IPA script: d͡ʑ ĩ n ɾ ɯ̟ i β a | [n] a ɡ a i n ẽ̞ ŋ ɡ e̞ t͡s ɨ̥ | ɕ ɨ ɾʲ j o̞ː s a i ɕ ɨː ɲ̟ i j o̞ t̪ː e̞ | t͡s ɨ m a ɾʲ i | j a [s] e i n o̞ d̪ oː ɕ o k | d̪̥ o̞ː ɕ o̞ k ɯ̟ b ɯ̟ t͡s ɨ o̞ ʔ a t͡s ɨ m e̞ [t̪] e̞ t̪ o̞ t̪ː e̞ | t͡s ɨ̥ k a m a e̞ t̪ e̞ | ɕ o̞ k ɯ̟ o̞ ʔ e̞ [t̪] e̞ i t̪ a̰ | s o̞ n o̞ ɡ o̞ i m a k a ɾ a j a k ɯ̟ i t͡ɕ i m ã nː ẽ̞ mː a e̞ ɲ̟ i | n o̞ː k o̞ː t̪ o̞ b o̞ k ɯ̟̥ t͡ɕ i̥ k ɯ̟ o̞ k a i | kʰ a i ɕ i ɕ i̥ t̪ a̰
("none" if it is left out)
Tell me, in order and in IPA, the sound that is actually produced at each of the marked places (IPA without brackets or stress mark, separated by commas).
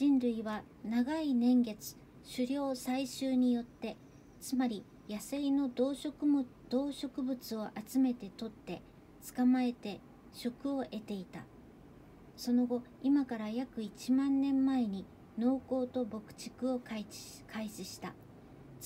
n, s, t̪, t̪